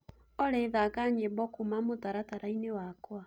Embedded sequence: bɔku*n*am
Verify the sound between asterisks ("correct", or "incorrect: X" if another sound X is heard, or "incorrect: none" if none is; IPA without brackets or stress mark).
incorrect: m